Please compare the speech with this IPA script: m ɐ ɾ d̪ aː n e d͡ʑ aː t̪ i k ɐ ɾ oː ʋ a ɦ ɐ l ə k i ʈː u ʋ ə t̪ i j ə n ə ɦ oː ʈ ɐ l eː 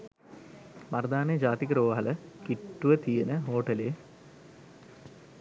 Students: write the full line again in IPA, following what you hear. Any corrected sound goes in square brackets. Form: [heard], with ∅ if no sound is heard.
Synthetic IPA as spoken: m ɐ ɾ d̪ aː n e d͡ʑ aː t̪ i k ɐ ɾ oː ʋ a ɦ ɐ l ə k i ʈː u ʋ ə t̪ i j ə n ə ɦ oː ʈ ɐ l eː